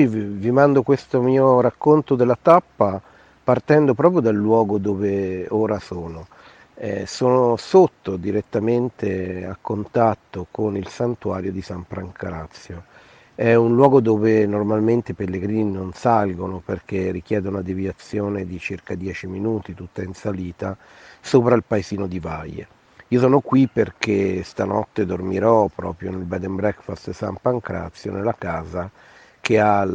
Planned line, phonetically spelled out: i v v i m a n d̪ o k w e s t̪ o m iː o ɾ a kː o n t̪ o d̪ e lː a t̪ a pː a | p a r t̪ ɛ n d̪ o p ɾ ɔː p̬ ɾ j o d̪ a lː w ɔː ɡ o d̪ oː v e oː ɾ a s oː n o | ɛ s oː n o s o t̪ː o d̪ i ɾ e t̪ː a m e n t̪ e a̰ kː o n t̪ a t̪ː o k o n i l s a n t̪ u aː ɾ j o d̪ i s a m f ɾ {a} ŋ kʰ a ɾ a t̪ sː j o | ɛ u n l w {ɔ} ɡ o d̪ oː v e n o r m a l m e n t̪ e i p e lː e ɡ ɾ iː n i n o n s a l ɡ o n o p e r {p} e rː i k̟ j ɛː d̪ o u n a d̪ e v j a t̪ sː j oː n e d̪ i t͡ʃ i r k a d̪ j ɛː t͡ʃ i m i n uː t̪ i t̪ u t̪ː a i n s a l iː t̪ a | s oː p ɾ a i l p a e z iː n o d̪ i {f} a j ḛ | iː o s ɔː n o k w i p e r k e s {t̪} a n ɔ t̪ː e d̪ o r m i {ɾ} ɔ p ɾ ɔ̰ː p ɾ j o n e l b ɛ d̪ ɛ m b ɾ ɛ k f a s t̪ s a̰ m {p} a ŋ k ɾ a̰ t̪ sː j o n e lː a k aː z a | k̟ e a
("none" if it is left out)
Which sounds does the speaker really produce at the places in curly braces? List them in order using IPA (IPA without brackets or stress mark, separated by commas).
a, ɔː, k, v, t̪, ɾ, p